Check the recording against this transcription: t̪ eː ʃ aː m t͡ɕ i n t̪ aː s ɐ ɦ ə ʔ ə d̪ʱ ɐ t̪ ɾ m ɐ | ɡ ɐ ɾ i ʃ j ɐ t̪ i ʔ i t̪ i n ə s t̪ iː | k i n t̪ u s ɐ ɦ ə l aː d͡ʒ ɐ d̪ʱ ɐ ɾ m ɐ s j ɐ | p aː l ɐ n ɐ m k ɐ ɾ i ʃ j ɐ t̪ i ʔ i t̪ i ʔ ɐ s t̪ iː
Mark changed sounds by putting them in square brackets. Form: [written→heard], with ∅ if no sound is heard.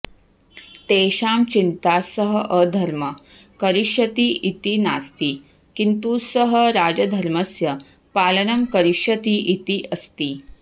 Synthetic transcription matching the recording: t̪ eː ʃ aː m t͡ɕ i n t̪ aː s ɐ ɦ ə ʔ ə d̪ʱ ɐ [t̪→∅] ɾ m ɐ | [ɡ→k] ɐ ɾ i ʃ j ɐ t̪ i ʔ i t̪ i n [ə→a] s t̪ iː | k i n t̪ u s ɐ ɦ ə [l→ɾ] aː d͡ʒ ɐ d̪ʱ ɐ ɾ m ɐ s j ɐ | p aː l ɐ n ɐ m k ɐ ɾ i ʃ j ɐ t̪ i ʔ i t̪ i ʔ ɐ s t̪ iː